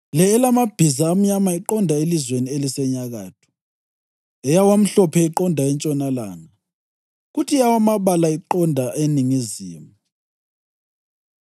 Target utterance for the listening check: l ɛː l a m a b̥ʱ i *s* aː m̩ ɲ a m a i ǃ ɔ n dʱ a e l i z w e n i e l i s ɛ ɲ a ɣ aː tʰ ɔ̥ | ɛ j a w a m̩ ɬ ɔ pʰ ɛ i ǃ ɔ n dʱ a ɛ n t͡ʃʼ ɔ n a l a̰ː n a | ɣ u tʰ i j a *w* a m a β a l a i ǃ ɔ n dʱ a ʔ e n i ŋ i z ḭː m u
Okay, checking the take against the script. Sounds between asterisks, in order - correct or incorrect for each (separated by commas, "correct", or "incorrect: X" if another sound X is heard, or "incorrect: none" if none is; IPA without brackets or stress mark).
incorrect: z, correct